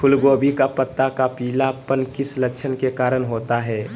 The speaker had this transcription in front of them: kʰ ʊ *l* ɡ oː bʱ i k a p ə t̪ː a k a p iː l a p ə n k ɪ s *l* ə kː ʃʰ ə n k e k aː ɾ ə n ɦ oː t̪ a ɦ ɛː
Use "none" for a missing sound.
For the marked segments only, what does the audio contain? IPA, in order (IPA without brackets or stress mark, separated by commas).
l, l